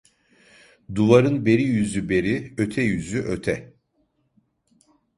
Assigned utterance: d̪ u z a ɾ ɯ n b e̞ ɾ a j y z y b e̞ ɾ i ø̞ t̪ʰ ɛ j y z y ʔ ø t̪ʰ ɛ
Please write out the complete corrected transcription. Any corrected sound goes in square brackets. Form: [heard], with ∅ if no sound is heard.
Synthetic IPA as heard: d̪ u [v] a ɾ ɯ n b e̞ ɾ [i] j y z y b e̞ ɾ i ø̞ t̪ʰ ɛ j y z y ʔ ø t̪ʰ ɛ